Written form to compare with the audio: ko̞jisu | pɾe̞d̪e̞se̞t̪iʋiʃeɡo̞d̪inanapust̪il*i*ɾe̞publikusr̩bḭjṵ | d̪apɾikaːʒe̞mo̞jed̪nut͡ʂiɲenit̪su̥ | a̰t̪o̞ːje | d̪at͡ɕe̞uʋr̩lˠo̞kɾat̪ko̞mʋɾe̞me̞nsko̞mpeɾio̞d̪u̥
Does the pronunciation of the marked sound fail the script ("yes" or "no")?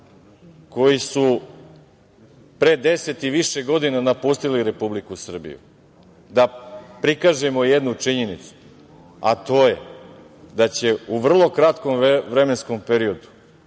no